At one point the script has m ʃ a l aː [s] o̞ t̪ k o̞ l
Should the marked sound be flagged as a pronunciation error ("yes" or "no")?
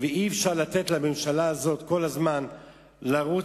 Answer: yes